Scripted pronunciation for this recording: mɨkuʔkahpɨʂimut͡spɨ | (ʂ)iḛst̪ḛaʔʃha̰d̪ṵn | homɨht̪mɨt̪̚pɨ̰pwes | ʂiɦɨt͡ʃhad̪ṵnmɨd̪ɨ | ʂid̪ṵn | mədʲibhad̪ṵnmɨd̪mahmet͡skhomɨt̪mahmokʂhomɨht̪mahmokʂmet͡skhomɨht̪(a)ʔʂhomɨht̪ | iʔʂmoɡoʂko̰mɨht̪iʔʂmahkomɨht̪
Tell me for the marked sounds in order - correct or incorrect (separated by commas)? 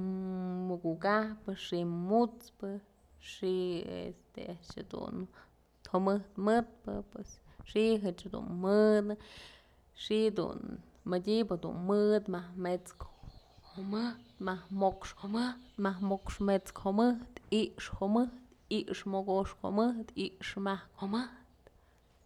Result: correct, incorrect